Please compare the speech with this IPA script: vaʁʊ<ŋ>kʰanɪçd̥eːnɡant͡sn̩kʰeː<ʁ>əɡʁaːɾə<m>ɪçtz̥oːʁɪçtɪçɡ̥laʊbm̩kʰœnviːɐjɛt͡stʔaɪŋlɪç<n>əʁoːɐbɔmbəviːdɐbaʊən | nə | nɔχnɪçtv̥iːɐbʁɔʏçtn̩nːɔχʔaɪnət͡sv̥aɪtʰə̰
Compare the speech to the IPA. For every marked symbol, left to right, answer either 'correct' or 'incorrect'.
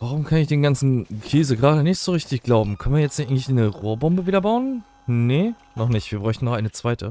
incorrect, incorrect, incorrect, correct

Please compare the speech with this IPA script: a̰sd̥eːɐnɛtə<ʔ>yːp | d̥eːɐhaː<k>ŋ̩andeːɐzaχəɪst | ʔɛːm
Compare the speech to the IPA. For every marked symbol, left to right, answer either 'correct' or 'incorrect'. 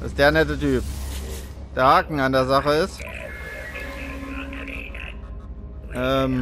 incorrect, correct

